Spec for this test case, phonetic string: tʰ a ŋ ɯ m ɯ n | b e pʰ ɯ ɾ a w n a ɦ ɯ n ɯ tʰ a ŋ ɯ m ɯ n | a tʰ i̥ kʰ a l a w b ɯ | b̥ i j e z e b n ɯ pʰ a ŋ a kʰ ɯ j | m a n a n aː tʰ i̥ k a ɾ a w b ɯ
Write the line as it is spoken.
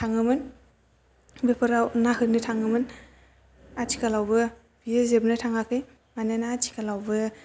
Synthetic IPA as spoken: tʰ a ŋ ɯ m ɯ n | b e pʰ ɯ ɾ a w n a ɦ ɯ n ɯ tʰ a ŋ ɯ m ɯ n | a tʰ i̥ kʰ a l a w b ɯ | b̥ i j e z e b n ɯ tʰ a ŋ a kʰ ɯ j | m a n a n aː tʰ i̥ k a l a w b ɯ